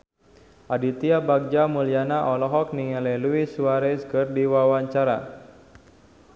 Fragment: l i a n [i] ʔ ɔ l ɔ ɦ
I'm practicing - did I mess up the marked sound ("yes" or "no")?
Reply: yes